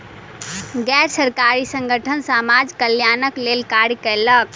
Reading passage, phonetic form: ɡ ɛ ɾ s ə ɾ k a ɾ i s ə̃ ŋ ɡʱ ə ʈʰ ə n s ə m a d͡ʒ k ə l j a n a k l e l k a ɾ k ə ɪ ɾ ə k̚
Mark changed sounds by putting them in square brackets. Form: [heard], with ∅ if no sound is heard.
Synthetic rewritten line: ɡ ɛ ɾ s ə ɾ k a ɾ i s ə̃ ŋ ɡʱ ə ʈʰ ə n s [a] m a d͡ʒ k ə l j a n [ə] k l e l k a ɾ k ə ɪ [l] ə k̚